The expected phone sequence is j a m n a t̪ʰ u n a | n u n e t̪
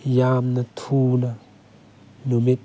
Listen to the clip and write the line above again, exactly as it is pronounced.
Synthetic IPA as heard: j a m n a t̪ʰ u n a | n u m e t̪